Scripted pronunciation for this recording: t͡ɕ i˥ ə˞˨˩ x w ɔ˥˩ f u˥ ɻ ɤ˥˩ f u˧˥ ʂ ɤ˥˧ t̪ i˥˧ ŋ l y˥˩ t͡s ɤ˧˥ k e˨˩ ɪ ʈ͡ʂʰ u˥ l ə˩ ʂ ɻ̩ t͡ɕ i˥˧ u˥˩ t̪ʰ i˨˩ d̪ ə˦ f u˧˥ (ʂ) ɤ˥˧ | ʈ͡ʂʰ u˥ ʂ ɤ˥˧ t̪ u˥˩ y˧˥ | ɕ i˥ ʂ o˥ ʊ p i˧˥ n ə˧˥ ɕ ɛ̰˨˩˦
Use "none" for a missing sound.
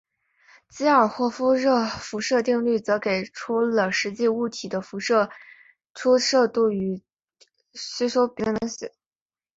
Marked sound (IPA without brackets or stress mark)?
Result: ʂ